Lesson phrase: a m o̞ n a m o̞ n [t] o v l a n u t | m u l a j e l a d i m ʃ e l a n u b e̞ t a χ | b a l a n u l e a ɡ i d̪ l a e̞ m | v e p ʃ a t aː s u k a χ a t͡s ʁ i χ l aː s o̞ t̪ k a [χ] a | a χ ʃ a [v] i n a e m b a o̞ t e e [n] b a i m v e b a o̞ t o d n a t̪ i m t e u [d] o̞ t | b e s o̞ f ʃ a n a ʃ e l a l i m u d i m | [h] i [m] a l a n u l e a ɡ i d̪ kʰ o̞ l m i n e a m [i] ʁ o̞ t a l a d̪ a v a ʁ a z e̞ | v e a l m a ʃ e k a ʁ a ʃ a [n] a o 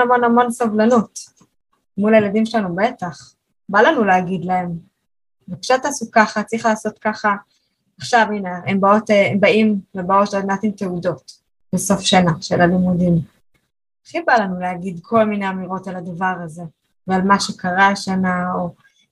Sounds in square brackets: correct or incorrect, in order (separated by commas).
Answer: incorrect, correct, correct, incorrect, correct, incorrect, incorrect, correct, correct